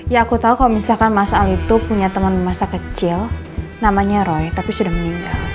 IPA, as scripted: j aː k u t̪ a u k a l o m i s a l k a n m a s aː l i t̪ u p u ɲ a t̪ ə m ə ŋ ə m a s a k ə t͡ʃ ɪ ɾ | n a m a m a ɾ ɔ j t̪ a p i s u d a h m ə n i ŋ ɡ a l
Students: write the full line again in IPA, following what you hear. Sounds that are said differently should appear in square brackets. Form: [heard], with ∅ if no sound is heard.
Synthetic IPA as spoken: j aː k u t̪ a u k a l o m i s a l k a n m a s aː l i t̪ u p u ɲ a t̪ ə m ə [n] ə m a s a k ə t͡ʃ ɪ [l] | n a m a [ɲ] a ɾ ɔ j t̪ a p i s u d a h m ə n i ŋ ɡ a l